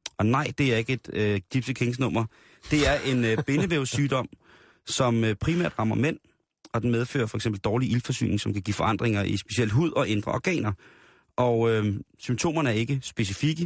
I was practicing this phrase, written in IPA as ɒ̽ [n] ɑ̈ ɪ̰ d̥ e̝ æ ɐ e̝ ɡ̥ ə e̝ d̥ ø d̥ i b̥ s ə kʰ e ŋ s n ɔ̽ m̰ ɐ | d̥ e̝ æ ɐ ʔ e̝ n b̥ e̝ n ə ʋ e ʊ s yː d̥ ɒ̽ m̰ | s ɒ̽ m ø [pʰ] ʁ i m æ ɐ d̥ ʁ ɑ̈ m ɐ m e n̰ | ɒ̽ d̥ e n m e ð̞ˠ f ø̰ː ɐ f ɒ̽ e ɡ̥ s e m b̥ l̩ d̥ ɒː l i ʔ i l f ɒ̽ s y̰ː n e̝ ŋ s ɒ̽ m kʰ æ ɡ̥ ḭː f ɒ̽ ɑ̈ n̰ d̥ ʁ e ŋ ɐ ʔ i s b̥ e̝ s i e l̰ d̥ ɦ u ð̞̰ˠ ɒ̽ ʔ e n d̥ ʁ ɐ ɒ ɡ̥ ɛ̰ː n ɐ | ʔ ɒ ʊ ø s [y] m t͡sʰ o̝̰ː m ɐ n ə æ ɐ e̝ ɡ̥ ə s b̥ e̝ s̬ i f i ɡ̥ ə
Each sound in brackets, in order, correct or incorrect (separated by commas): correct, correct, correct